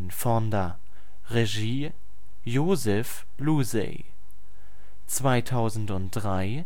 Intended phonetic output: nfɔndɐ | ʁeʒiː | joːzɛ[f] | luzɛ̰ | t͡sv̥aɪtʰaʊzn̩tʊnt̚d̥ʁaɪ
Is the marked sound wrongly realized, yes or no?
no